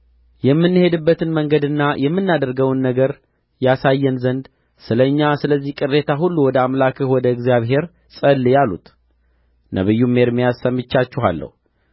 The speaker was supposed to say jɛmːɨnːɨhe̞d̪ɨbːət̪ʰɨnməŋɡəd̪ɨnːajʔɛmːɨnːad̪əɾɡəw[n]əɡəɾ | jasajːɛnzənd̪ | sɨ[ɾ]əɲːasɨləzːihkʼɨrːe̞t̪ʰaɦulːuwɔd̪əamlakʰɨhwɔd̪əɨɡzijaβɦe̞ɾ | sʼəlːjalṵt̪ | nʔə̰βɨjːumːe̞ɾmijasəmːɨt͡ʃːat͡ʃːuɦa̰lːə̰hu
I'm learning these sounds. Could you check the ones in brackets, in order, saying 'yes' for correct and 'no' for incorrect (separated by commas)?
no, no